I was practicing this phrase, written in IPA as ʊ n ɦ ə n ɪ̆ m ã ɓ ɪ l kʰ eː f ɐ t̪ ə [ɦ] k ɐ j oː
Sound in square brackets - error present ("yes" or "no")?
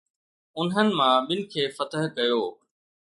no